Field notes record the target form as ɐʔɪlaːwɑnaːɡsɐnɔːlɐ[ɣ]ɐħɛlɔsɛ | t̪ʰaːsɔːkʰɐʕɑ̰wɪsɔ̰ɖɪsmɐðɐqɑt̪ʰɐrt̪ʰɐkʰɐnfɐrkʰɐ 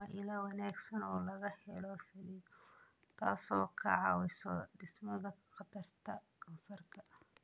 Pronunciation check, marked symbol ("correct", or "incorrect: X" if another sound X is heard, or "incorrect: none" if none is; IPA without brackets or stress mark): correct